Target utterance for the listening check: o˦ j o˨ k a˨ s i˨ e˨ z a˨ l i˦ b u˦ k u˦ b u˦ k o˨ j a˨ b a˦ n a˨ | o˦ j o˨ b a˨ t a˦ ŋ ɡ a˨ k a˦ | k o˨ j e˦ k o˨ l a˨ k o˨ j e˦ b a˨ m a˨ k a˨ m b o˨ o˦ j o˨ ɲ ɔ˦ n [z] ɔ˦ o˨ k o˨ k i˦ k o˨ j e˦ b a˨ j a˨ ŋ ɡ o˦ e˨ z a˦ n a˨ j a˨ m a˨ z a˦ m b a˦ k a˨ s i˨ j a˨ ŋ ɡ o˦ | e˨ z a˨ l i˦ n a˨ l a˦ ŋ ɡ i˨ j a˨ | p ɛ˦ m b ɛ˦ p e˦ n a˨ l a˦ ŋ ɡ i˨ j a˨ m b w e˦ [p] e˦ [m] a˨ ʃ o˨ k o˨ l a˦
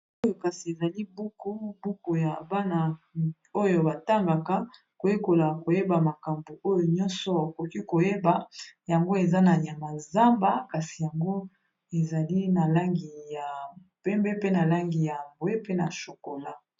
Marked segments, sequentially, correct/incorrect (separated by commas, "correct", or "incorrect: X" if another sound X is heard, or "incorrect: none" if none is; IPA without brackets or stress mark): incorrect: s, correct, incorrect: n